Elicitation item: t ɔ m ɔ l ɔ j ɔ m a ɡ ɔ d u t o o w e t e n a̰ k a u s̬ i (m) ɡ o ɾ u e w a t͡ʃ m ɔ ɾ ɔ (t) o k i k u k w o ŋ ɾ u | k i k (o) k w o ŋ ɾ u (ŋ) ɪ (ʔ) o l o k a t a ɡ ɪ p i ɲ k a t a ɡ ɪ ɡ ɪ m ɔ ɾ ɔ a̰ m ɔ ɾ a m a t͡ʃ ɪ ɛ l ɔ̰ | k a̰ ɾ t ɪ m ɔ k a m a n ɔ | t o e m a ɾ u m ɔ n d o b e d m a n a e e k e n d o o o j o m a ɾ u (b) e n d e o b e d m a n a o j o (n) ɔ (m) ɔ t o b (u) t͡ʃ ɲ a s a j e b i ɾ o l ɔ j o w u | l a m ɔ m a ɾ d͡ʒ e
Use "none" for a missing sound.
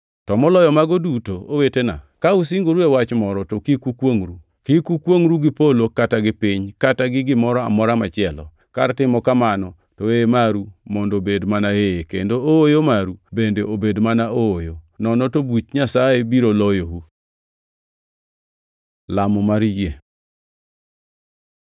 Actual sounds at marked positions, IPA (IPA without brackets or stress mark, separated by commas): ŋ, t, u, ɡ, p, b, n, n, u